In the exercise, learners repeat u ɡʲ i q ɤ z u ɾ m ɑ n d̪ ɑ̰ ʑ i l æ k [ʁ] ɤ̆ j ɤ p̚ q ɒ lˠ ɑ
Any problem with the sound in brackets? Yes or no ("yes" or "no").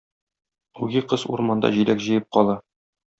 yes